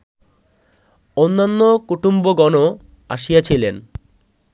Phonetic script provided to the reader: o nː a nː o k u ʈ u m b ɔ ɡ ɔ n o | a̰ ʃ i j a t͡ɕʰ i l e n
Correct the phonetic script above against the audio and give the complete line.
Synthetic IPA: o nː a nː o k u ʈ u m b o ɡ ɔ n o | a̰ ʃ i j a t͡ɕʰ i l e n